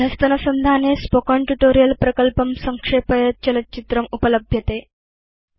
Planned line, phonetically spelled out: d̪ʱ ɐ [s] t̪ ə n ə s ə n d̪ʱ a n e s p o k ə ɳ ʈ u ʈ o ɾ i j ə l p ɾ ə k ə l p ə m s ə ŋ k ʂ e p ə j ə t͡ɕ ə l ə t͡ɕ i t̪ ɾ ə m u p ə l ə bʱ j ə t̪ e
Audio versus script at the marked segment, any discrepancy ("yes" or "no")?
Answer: no